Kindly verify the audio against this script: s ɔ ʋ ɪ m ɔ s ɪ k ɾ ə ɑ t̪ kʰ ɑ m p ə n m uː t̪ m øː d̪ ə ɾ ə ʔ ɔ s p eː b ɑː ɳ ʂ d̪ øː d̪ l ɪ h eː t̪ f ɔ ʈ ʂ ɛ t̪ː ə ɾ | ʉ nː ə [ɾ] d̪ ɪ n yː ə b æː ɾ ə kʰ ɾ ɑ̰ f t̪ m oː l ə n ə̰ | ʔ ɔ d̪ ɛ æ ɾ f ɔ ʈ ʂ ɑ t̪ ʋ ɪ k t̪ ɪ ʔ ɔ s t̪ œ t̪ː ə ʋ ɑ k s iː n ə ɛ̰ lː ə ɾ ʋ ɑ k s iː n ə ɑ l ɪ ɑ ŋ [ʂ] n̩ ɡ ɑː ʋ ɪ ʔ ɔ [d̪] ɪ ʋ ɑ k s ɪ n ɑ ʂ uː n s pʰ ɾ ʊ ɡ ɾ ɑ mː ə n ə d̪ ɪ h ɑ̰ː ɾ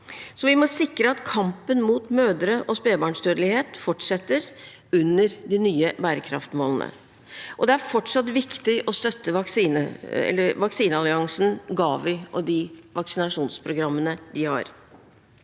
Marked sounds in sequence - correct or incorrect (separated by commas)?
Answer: correct, incorrect, correct